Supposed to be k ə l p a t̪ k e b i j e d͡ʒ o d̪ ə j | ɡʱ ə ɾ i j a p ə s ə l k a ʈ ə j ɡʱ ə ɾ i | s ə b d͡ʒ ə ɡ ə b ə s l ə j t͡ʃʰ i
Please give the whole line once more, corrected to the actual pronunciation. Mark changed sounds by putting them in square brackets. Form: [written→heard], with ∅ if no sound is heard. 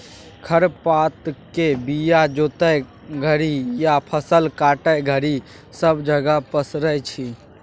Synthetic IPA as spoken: [k→kʰ] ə [l→ɾ] p a t̪ k e b i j [e→a] d͡ʒ o [d̪→t̪] ə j | ɡʱ ə ɾ i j a [p→pʰ] ə s ə l k a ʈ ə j ɡʱ ə ɾ i | s ə b d͡ʒ ə ɡ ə [b→p] ə s [l→ɾ] ə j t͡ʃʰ i